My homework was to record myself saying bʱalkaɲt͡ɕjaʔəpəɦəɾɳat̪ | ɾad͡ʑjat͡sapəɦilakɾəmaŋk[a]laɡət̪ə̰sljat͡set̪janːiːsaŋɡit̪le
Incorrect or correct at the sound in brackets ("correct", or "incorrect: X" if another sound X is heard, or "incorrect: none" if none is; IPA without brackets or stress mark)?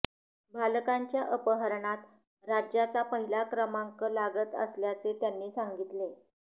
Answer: incorrect: ə